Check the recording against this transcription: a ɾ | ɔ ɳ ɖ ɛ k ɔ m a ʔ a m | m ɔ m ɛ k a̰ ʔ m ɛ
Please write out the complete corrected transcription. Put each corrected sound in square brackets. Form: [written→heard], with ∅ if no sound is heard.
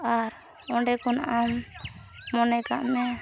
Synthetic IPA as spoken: a ɾ | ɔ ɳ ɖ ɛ k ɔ [m→n] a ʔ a m | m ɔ [m→n] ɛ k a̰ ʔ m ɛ